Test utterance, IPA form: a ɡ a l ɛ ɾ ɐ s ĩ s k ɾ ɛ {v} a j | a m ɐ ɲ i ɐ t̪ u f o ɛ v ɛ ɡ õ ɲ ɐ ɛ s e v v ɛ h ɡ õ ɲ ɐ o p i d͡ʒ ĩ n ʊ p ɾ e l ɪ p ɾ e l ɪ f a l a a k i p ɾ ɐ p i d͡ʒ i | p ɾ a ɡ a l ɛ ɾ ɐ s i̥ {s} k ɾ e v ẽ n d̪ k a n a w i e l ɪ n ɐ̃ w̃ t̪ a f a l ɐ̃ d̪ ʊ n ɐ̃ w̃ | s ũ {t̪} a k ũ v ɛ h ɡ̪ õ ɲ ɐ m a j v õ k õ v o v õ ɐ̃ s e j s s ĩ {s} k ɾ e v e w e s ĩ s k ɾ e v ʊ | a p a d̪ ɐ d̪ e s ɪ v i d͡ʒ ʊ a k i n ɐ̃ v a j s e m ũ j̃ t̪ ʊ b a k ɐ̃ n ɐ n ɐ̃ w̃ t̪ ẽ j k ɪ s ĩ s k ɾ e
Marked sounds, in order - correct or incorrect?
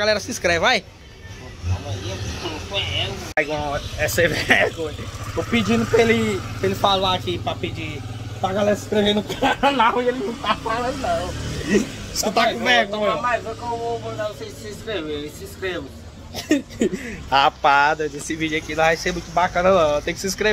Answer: correct, correct, correct, correct

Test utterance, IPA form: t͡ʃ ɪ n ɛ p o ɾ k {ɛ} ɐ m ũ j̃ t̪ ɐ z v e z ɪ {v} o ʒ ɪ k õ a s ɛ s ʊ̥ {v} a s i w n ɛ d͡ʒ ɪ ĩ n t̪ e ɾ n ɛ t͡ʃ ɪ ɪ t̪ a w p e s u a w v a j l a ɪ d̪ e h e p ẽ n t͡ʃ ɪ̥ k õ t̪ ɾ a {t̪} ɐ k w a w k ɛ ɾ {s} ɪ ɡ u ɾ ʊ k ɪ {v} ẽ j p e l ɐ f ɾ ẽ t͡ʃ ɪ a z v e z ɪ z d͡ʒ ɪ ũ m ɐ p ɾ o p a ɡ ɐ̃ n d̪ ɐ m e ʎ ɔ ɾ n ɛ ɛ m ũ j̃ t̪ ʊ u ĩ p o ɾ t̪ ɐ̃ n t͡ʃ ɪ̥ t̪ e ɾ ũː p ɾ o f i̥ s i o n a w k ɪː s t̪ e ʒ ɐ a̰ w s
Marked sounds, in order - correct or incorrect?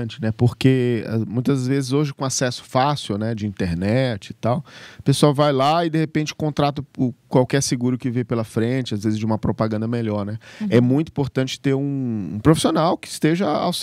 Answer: incorrect: e, incorrect: z, incorrect: f, correct, correct, correct

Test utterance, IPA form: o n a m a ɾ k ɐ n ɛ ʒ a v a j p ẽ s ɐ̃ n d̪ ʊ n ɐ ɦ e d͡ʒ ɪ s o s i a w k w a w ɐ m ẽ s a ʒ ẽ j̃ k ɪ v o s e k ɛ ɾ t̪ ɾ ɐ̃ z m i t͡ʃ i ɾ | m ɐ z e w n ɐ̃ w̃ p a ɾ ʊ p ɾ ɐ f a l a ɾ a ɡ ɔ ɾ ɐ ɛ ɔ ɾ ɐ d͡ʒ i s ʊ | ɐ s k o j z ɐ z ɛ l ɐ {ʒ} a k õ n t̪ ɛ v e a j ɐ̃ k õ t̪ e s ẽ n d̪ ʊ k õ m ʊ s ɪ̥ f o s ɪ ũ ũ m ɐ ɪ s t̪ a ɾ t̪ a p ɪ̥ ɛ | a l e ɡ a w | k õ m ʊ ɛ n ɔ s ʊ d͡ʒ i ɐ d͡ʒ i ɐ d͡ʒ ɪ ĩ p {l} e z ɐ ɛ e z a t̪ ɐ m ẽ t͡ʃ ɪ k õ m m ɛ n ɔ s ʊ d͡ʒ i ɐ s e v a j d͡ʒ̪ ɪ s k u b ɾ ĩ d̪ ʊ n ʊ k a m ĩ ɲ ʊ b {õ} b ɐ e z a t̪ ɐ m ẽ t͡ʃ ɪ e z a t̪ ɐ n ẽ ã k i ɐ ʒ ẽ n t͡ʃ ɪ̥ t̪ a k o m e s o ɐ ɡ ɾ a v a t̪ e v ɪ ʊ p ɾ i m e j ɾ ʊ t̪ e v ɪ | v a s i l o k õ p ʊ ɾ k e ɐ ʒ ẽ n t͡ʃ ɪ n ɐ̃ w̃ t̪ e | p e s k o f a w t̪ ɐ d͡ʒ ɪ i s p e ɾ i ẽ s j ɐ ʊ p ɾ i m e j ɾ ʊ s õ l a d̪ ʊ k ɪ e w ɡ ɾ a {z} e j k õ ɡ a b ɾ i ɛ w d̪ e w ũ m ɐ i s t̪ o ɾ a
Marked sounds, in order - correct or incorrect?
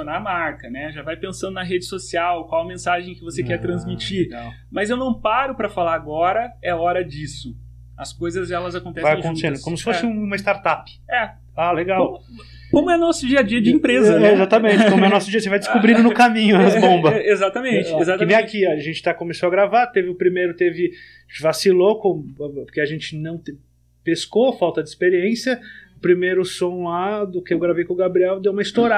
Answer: incorrect: z, incorrect: ɾ, correct, incorrect: v

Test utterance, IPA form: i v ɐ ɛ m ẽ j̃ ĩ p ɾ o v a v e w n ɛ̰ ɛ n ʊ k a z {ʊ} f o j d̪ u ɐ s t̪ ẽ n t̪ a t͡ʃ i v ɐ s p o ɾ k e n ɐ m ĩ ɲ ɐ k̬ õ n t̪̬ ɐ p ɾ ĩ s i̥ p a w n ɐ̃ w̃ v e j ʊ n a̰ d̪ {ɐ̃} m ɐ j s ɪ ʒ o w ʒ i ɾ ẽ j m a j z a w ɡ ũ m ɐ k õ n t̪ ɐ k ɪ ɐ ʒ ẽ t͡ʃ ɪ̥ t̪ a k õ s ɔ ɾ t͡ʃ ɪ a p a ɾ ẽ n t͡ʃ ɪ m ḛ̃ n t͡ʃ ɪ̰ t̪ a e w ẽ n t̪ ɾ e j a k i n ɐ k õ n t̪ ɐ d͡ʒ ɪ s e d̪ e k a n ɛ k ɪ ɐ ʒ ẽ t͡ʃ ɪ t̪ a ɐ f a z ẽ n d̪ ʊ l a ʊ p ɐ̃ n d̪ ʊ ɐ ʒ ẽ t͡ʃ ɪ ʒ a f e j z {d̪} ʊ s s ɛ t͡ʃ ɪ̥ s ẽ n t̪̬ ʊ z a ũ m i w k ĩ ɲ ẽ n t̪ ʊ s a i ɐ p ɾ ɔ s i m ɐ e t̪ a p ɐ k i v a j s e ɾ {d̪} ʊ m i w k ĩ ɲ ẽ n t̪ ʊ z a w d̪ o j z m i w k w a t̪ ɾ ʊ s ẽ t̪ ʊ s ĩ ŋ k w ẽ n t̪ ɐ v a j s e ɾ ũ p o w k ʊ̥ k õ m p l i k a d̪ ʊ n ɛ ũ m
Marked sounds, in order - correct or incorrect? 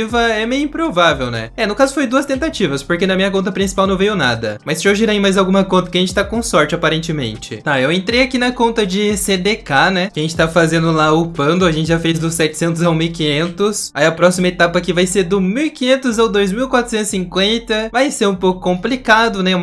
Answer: correct, incorrect: ɐ, correct, correct

